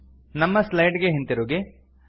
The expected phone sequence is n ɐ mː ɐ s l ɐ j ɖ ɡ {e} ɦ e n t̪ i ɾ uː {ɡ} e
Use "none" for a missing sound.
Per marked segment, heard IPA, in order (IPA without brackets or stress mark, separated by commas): e, ɡ